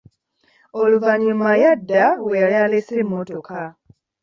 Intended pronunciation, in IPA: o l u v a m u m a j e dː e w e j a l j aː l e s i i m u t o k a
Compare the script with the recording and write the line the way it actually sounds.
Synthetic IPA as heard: o l u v a ɲ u m a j a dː a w e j a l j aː l e s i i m o t o k a